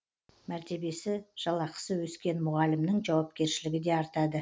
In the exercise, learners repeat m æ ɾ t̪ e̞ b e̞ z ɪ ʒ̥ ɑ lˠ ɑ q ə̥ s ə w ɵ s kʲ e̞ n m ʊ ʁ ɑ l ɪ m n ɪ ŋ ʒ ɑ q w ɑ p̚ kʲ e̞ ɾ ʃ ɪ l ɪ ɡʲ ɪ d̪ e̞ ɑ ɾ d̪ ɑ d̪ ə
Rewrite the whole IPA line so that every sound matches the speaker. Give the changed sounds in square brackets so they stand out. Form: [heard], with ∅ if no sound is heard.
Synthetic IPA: m æ ɾ t̪ e̞ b e̞ [s] ɪ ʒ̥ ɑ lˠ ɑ q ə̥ s ə w ɵ s kʲ e̞ n m ʊ ʁ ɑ l ɪ m n ɪ ŋ ʒ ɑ [∅] w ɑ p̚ kʲ e̞ ɾ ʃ ɪ l ɪ ɡʲ ɪ d̪ e̞ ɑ ɾ [t̪] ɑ d̪ ə